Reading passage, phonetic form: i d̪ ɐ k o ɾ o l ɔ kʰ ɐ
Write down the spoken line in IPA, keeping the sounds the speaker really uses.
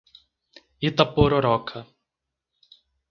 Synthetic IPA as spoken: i t̪ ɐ p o ɾ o ɾ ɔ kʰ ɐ